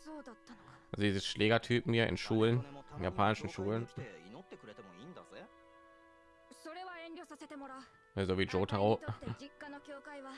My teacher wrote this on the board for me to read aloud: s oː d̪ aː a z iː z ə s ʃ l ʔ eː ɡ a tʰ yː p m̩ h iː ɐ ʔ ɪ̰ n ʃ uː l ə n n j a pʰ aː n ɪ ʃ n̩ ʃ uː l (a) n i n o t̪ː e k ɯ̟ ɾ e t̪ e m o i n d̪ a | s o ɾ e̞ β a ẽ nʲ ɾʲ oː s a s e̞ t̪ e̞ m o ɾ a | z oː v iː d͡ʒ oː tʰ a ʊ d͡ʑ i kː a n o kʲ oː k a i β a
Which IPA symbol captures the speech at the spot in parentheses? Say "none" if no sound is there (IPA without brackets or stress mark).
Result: ə